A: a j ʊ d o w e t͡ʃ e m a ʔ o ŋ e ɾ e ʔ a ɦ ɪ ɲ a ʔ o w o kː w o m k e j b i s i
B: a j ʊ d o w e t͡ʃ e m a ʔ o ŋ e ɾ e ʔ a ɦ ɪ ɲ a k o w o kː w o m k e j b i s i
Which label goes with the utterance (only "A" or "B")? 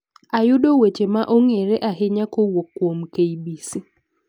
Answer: B